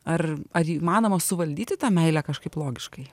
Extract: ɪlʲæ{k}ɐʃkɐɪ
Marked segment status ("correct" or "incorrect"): correct